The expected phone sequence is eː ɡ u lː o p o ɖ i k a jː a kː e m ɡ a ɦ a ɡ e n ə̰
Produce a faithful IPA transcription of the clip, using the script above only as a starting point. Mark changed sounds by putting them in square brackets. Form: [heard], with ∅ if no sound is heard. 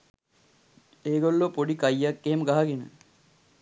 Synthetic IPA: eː ɡ [o] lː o p o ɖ i k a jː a kː e m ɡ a ɦ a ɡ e n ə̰